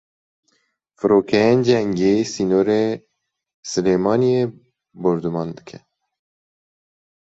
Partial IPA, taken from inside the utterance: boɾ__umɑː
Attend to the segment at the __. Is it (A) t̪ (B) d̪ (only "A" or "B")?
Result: B